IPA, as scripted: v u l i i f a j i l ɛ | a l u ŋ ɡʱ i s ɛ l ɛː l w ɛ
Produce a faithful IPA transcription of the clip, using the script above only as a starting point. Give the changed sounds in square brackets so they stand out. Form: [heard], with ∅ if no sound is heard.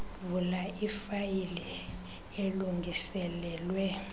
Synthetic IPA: v u l [a] i f a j i l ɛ | [e] l u ŋ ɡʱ i s ɛ l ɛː l w ɛ